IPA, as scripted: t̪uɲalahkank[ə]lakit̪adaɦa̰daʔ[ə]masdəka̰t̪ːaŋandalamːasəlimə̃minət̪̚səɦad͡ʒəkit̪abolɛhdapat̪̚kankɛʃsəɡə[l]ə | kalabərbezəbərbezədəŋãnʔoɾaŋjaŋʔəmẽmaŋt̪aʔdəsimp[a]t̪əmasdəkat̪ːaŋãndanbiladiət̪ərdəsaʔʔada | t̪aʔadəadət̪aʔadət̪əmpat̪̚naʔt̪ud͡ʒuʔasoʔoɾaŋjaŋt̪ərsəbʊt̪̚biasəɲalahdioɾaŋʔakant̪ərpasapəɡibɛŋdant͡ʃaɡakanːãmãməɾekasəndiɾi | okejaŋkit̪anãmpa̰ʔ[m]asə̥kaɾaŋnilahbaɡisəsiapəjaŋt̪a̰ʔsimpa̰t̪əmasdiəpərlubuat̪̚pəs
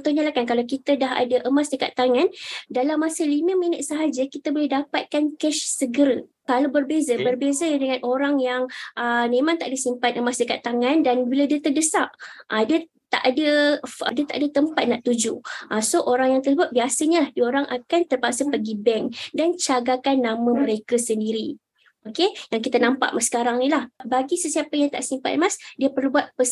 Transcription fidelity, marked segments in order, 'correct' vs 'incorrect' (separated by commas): incorrect, correct, incorrect, correct, correct